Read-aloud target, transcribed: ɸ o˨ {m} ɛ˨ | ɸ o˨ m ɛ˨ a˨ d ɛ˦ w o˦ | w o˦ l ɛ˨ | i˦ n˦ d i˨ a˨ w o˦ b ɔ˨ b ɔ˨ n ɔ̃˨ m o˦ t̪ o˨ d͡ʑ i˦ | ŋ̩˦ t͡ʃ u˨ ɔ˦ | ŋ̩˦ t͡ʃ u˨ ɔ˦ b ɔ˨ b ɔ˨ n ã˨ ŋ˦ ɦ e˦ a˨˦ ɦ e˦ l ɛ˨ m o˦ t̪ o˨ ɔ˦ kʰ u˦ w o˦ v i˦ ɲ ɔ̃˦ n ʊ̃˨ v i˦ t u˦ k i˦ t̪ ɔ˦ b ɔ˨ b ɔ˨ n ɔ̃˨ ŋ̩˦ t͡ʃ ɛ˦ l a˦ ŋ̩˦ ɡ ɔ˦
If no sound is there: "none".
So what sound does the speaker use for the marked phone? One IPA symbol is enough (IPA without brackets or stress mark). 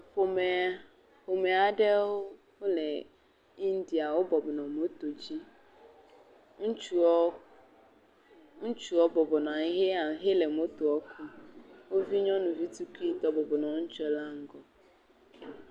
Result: m